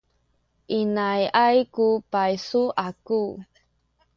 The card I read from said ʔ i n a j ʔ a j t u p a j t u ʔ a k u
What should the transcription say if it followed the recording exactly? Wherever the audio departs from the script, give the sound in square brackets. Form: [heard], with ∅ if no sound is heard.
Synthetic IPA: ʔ i n a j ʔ a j [k] u p a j [s] u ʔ a k u